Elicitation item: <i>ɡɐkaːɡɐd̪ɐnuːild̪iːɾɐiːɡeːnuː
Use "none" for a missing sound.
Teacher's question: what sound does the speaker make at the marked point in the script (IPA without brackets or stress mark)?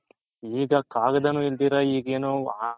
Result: iː